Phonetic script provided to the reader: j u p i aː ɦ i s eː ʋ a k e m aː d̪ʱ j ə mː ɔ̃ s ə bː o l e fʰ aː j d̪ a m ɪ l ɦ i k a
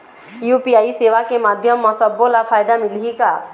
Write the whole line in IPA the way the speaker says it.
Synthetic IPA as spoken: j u p i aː i s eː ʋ a k e m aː d̪ʱ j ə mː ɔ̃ s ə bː o l a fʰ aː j d̪ a m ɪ l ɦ i k a